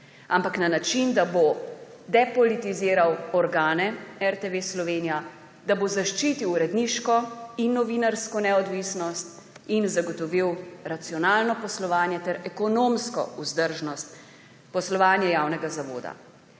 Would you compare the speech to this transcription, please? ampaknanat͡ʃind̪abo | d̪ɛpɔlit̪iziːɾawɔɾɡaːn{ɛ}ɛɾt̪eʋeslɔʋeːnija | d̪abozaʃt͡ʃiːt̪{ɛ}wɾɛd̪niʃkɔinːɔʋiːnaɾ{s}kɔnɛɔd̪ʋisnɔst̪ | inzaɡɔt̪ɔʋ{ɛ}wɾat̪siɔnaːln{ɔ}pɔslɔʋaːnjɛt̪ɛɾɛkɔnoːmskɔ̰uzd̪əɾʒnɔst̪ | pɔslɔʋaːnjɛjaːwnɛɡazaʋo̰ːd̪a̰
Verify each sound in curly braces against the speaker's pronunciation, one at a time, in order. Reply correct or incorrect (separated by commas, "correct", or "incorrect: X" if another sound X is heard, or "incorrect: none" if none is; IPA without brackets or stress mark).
correct, incorrect: i, correct, incorrect: i, correct